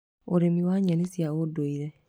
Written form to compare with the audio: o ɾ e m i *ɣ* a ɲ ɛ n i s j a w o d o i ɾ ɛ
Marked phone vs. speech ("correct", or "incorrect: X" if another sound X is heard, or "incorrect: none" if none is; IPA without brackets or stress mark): incorrect: w